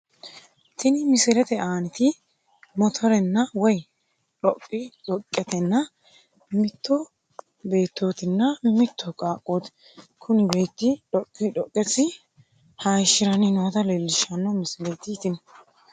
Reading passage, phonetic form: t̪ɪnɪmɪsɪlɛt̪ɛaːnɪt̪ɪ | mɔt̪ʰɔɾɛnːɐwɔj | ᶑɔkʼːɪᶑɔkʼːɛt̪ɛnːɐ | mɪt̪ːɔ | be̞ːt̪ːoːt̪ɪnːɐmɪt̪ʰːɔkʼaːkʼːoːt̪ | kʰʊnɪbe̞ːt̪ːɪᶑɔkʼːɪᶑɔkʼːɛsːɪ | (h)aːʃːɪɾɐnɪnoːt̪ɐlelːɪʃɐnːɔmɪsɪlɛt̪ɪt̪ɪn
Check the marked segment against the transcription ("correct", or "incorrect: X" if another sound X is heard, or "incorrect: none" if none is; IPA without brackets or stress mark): correct